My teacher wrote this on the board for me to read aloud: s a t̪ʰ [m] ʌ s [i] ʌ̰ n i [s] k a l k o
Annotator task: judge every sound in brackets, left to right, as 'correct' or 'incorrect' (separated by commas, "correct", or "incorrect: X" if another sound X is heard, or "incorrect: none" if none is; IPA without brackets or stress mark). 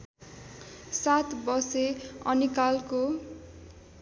incorrect: b, incorrect: e, incorrect: none